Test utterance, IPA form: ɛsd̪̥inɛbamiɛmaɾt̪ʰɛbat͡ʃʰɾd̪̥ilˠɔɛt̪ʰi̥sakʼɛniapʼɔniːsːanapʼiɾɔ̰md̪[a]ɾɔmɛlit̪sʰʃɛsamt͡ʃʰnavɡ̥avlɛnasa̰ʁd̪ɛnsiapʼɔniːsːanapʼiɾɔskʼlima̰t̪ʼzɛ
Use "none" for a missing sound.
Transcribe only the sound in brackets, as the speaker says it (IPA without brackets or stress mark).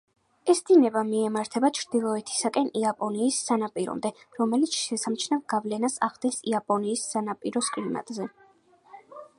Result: ɛ